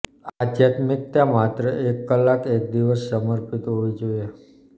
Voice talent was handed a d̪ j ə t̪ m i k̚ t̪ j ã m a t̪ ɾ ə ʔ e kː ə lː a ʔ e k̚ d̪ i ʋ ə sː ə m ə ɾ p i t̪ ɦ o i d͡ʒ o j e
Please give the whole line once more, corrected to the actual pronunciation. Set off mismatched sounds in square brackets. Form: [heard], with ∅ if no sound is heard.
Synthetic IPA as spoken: a d̪ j [a] t̪ m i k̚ t̪ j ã m a t̪ ɾ ə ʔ e kː ə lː a [k] e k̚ d̪ i ʋ ə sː ə m ə ɾ p i t̪ ɦ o i d͡ʒ o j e